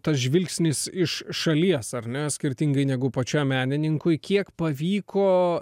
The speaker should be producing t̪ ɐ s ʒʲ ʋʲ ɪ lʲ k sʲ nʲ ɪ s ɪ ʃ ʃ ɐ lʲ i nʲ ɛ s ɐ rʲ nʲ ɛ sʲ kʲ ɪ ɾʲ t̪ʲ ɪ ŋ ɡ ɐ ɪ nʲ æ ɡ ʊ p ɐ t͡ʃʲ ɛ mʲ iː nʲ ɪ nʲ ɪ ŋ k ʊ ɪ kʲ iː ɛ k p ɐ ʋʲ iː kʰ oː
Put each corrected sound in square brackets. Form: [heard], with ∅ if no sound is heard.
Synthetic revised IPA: t̪ ɐ s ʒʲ ʋʲ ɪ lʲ k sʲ nʲ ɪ s ɪ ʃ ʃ ɐ lʲ i [∅] ɛ s ɐ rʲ nʲ ɛ sʲ kʲ ɪ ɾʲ t̪ʲ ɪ ŋ ɡ ɐ ɪ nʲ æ ɡ ʊ p ɐ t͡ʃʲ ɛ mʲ [æː] nʲ ɪ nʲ ɪ ŋ k ʊ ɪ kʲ [i] ɛ k p ɐ ʋʲ iː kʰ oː